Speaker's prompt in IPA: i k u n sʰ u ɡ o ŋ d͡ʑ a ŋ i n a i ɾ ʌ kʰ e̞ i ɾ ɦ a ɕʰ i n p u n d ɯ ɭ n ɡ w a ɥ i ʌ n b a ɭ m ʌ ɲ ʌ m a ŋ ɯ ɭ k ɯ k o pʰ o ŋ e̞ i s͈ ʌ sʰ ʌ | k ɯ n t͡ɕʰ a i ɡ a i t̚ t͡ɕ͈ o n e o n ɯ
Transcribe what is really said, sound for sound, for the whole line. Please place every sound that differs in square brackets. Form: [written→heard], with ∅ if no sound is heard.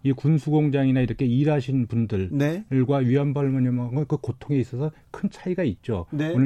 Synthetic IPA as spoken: i k u n sʰ u ɡ o ŋ d͡ʑ a ŋ i n a i ɾ ʌ kʰ e̞ i ɾ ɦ a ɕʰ i n p u n d ɯ ɭ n ɡ w a ɥ i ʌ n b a ɭ m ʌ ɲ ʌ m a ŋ ɯ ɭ k ɯ k o [pʰ→tʰ] o ŋ e̞ i s͈ ʌ sʰ ʌ | [k→kʰ] ɯ n t͡ɕʰ a i ɡ a i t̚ t͡ɕ͈ o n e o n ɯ